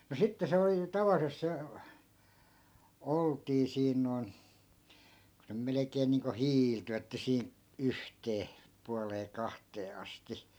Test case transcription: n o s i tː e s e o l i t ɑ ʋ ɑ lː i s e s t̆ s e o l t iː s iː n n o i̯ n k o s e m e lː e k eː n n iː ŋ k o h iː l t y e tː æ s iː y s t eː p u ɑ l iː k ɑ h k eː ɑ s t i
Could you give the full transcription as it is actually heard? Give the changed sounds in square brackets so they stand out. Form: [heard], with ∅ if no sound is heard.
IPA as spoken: n o s i tː e s e o l i t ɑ ʋ ɑ lː i s e s t̆ s e o l t iː s iː n n o i̯ n k [u] s e m e [l] e k eː n n iː ŋ k o h iː l t y e tː æ s iː y [h] t eː p u ɑ l [eː] k ɑ h [t] eː ɑ s t i